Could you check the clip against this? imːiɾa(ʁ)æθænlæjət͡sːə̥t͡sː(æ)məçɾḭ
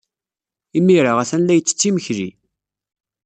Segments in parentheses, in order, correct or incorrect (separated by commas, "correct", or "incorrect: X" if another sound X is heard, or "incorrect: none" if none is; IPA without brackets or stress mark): correct, incorrect: i